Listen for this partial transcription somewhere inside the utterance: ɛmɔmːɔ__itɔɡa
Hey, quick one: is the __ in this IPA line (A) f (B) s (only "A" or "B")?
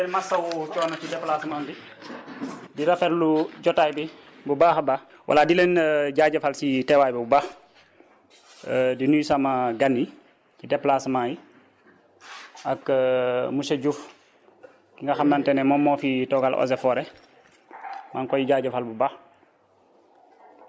A